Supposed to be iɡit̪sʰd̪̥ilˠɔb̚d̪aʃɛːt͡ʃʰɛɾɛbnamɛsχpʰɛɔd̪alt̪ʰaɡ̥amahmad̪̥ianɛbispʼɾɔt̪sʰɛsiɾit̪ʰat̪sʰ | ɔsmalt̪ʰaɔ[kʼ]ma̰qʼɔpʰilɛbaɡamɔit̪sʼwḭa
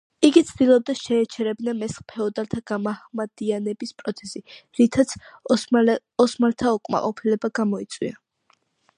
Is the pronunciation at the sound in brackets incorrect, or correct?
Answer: correct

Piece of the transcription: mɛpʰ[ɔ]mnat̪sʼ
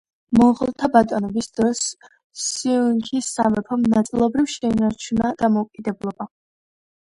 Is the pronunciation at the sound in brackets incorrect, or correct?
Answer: correct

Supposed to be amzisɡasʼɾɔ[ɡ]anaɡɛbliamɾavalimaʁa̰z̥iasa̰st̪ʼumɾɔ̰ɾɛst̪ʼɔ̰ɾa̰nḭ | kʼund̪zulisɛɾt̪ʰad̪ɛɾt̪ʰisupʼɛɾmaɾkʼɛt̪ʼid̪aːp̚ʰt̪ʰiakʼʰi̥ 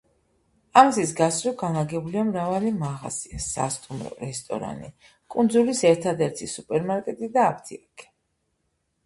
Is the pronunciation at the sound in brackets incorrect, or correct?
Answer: correct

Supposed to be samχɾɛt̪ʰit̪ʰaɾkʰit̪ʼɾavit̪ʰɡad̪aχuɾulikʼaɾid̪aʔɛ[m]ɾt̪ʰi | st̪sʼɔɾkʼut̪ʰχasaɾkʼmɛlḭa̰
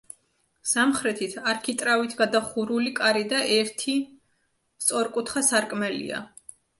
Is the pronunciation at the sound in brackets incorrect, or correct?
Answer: incorrect: none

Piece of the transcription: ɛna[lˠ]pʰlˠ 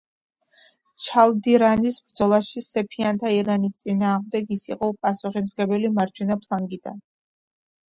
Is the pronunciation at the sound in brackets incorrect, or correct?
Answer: incorrect: none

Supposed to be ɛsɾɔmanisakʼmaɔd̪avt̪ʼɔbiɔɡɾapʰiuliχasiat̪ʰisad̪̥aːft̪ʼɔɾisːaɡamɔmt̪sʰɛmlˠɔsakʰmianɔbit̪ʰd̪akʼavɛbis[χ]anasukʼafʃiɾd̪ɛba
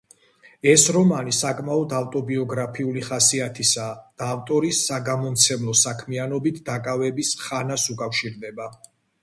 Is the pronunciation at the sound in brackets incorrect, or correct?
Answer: correct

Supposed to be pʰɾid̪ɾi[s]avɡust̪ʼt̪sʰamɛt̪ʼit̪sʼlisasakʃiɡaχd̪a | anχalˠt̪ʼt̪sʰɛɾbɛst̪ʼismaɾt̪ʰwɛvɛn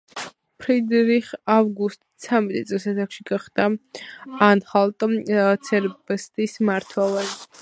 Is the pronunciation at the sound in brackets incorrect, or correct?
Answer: incorrect: χ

